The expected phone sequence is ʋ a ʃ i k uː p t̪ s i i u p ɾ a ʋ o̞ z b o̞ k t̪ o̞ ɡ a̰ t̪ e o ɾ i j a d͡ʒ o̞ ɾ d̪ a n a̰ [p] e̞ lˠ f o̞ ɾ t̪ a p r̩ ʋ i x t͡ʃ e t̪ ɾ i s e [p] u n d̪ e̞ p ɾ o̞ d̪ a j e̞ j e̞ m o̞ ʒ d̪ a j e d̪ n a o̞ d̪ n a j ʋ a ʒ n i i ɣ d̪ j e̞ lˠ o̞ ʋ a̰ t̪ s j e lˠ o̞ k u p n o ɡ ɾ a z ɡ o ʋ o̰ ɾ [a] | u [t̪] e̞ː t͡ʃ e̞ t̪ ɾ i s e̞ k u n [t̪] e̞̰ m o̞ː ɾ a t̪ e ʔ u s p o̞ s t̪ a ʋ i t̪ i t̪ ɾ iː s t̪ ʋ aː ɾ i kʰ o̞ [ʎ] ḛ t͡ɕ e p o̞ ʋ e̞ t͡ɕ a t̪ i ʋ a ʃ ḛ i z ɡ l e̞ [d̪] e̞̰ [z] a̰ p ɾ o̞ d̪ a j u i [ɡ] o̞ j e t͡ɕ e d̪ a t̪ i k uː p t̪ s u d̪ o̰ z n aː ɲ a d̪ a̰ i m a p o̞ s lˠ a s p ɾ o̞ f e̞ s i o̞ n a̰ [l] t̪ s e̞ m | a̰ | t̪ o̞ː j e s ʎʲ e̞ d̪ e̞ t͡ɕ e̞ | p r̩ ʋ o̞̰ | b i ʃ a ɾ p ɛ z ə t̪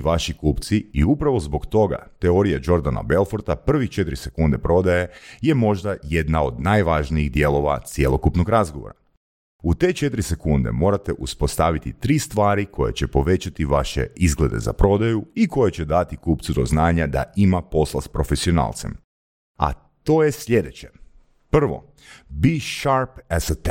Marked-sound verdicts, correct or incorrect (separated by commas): incorrect, incorrect, correct, correct, incorrect, incorrect, correct, correct, incorrect, correct